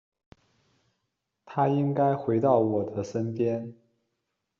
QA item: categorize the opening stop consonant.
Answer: aspirated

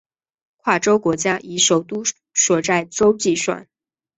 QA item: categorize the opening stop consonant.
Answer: aspirated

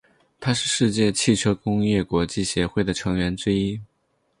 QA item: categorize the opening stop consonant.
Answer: aspirated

